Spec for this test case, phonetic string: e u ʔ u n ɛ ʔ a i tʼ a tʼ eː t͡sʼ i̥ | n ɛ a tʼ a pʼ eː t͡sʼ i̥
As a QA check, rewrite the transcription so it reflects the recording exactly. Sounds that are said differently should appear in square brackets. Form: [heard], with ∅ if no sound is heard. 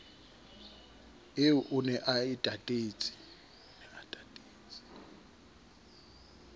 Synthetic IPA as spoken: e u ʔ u n ɛ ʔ a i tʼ a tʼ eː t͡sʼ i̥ | n ɛ a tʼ a [tʼ] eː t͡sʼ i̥

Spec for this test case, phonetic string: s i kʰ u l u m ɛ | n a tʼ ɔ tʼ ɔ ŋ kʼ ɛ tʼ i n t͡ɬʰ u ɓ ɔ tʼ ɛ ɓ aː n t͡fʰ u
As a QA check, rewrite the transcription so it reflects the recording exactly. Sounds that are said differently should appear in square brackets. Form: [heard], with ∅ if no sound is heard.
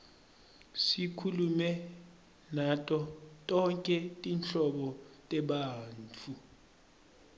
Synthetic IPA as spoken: s i kʰ u l u m ɛ | n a tʼ ɔ tʼ ɔ ŋ kʼ ɛ tʼ i n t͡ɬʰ [ɔ] ɓ ɔ tʼ ɛ ɓ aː n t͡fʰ u

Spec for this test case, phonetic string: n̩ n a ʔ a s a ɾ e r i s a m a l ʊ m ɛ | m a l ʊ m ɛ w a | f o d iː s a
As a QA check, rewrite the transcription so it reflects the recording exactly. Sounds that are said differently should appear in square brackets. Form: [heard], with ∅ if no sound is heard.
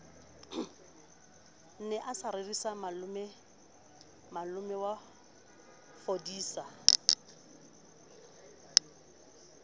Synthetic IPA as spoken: n̩ n [ɛ] ʔ a s a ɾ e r i s a m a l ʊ m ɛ | m a l ʊ m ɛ w a | f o d iː s a

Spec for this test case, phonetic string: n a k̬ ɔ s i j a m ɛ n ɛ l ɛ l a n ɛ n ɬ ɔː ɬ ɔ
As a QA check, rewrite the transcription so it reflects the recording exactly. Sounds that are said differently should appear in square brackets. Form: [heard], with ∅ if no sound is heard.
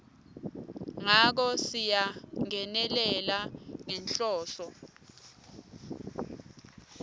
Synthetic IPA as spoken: [ŋ] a k̬ ɔ s i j a [ŋ] ɛ n ɛ l ɛ l a [ŋ] ɛ n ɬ ɔː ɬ ɔ

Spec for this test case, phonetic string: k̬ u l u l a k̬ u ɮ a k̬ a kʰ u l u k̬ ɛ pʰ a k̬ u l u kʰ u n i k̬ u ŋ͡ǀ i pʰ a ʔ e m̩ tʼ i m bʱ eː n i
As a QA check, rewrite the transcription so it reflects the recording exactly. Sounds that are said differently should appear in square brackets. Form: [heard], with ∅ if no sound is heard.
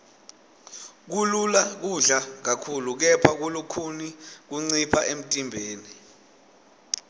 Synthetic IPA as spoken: k̬ u l u l a k̬ u ɮ a k̬ a kʰ u l u k̬ ɛ pʰ a k̬ u l u kʰ u n i k̬ u ŋ͡ǀ i pʰ a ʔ e m̩ tʼ i m bʱ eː n i

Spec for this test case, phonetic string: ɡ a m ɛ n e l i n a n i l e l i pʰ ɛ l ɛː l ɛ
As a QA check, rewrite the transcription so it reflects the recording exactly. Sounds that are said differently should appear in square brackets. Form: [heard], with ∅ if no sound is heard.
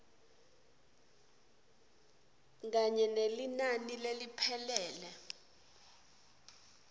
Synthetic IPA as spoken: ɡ a [ɲ] ɛ n e l i n a n i l e l i pʰ ɛ l ɛː l ɛ

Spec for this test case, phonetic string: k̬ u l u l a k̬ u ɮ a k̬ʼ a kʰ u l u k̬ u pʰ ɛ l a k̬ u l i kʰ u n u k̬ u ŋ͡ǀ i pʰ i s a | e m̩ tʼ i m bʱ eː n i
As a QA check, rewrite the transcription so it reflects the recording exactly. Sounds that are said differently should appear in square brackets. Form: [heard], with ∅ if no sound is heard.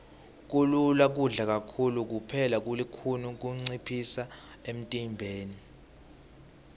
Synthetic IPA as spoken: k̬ u l u l a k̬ u ɮ a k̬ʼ a kʰ u l u k̬ u pʰ ɛ l a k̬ u l i kʰ u n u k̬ u ŋ͡ǀ i pʰ i s a | e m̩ tʼ i m bʱ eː n i

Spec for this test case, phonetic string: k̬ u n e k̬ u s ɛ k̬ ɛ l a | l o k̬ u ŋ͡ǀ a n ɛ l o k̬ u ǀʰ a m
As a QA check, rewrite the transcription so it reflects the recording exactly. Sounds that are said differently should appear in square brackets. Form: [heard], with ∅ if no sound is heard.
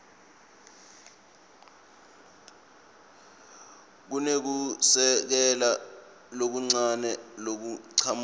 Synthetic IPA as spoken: k̬ u n e k̬ u s ɛ k̬ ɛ l a | l o k̬ u ŋ͡ǀ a n ɛ l o k̬ u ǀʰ a m

